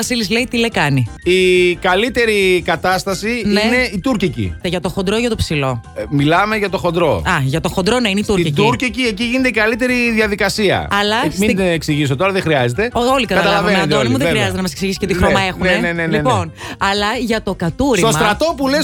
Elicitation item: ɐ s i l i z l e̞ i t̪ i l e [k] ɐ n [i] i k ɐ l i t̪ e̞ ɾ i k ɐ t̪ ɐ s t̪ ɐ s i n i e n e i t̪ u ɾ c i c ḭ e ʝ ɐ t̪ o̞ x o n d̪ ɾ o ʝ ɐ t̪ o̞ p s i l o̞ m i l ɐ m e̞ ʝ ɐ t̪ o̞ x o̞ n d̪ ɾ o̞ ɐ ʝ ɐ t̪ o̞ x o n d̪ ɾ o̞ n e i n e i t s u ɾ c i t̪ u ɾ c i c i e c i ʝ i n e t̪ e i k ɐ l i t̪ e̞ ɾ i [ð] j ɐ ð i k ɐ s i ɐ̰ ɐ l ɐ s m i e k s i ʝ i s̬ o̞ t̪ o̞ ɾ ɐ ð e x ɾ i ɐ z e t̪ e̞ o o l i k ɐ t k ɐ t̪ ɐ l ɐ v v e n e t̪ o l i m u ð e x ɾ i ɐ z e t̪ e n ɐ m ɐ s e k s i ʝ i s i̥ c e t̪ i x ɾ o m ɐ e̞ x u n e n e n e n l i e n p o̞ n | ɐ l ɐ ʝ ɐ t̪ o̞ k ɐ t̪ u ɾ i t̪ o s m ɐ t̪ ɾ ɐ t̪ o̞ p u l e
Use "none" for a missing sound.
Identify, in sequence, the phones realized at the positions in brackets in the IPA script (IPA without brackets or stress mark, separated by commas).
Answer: k, i, ð